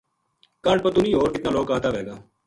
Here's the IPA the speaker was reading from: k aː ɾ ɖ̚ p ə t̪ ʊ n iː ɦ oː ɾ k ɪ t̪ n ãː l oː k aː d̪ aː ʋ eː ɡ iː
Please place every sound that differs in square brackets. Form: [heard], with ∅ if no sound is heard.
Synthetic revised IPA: k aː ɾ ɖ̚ p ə t̪ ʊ n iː ɦ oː ɾ k ɪ t̪ n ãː l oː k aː [t̪] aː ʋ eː ɡ [aː]